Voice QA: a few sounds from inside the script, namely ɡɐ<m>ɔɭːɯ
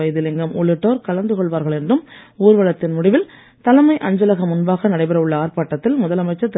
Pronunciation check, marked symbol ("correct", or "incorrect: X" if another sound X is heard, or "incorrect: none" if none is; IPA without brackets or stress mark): correct